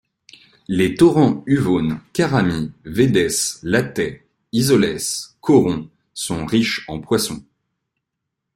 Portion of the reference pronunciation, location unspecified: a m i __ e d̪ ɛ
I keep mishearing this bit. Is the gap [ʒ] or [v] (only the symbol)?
v